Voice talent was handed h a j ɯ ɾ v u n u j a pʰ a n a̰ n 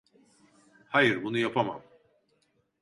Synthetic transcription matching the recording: h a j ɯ ɾ b u n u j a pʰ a m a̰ m